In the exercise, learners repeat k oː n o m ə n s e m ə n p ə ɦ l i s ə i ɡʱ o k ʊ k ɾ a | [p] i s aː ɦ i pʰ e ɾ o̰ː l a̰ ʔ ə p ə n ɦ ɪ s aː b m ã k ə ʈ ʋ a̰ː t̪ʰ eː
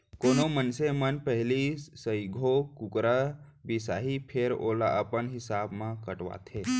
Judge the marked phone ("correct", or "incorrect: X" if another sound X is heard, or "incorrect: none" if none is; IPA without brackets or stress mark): incorrect: b